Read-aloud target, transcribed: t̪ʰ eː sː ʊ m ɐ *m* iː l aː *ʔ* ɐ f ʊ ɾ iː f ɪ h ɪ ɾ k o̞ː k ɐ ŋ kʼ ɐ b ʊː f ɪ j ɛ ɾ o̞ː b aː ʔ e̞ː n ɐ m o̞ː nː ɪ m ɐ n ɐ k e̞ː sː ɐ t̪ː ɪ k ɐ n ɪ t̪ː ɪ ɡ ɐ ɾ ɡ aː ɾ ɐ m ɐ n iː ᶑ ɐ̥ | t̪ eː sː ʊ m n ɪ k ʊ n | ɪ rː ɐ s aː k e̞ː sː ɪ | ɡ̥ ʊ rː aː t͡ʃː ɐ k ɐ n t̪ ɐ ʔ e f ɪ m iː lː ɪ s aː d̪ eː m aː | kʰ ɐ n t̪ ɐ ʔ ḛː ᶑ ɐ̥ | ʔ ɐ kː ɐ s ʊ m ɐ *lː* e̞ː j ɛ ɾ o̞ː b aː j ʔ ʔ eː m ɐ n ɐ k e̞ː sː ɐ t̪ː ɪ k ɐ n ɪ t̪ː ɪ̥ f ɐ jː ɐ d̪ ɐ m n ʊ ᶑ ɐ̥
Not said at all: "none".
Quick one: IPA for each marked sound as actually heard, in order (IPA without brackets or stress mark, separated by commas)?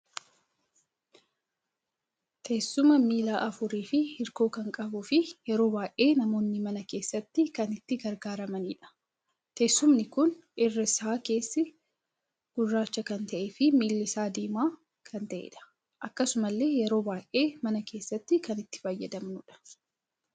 m, ʔ, lː